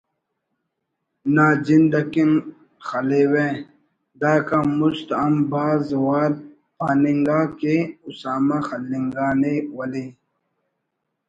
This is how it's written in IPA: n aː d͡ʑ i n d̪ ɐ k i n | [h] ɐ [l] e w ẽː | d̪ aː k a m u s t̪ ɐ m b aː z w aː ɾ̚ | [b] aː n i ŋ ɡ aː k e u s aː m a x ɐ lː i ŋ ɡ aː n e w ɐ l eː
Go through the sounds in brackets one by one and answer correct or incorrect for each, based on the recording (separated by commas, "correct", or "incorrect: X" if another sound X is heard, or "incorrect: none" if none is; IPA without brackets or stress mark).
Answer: incorrect: x, correct, incorrect: p